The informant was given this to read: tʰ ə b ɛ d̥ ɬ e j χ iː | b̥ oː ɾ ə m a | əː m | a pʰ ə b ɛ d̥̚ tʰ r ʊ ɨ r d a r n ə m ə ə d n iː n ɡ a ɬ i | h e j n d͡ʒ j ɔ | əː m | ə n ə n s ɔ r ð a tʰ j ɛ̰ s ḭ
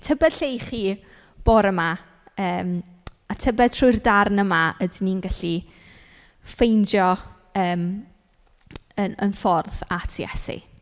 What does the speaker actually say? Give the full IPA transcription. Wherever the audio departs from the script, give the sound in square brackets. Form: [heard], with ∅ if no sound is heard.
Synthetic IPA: tʰ ə b ɛ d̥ ɬ e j χ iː | b̥ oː ɾ ə m a | əː m | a [tʰ] ə b ɛ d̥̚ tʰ r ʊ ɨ r d a r n ə m [a] ə d n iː n ɡ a ɬ i | [f] e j n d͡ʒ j ɔ | əː m | ə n ə n [f] ɔ r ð a tʰ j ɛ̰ s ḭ